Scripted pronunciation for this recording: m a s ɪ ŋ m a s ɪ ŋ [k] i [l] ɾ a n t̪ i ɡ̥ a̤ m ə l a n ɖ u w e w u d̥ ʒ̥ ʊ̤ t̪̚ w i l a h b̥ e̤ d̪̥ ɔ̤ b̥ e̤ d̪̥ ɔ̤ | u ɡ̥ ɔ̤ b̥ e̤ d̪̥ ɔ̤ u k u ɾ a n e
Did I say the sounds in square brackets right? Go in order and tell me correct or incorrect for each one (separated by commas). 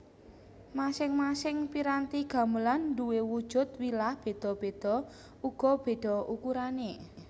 incorrect, incorrect